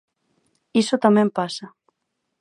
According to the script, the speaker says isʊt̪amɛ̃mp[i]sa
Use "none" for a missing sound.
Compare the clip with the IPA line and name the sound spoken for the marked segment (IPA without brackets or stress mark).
a